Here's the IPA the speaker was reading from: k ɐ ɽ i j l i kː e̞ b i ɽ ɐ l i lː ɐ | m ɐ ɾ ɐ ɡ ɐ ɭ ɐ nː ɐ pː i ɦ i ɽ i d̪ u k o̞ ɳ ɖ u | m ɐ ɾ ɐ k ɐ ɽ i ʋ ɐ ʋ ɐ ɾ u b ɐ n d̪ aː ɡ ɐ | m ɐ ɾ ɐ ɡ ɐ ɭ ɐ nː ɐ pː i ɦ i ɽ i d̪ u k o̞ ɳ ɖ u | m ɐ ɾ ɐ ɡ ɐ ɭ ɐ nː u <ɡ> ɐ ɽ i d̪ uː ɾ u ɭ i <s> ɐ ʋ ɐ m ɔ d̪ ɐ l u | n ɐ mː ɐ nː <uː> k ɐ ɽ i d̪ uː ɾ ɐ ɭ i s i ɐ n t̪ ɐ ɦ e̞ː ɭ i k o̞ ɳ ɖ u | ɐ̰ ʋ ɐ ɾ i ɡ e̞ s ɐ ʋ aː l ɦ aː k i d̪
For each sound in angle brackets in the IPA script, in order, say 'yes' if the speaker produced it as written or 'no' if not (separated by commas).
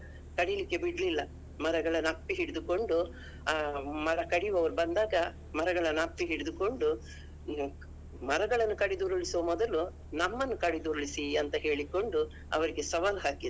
no, yes, no